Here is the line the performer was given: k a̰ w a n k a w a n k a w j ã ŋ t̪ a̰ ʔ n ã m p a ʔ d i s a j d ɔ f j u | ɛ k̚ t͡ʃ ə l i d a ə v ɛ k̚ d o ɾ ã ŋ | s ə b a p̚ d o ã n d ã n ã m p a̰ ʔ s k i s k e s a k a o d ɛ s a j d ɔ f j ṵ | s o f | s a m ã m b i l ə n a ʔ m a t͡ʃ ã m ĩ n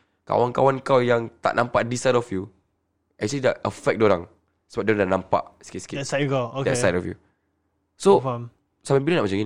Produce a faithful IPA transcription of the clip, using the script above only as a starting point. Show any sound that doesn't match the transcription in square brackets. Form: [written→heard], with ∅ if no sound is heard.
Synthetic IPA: k a̰ w a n k a w a n k a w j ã ŋ t̪ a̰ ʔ n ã m p a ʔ d i s a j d ɔ f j u | ɛ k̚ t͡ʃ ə l i d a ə [v→f] ɛ k̚ d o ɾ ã ŋ | s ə b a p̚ d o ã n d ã n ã m p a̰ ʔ s k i s k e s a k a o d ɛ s a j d ɔ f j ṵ | s o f | s a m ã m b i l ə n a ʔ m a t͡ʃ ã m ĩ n